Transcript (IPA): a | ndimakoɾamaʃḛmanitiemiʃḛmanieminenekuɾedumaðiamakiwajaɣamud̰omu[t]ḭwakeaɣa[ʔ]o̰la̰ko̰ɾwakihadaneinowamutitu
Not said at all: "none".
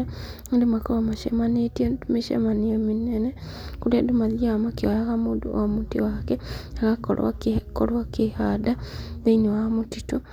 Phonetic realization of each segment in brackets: t, k

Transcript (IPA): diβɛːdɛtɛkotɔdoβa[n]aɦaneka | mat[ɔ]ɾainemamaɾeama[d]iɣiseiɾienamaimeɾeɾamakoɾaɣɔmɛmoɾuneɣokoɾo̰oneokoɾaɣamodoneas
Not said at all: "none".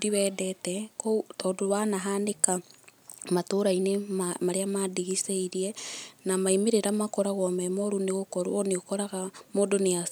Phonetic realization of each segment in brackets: n, o, d

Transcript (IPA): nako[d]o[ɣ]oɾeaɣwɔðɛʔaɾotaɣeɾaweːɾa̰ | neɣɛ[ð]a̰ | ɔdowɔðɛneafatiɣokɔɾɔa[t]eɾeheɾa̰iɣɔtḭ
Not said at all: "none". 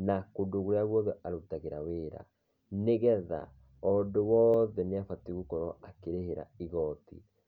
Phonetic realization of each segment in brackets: d, ɣ, ð, k

